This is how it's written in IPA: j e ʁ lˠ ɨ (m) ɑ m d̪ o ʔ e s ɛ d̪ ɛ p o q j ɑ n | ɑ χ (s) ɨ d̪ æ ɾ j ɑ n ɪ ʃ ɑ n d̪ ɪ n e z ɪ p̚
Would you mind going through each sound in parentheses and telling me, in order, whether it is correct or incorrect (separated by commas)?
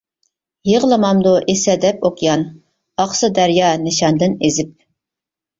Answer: correct, correct